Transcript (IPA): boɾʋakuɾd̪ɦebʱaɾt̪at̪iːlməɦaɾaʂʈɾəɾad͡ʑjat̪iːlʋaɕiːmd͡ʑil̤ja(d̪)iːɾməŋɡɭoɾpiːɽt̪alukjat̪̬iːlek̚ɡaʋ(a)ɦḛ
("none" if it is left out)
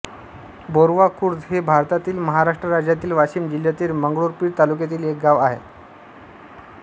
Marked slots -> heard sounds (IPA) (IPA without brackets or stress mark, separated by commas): t̪, a